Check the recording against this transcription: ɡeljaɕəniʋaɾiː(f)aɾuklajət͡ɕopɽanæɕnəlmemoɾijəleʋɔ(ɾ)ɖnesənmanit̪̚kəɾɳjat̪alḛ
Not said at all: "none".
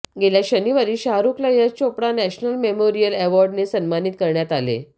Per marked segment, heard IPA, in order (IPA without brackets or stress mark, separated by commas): ɕ, ɾ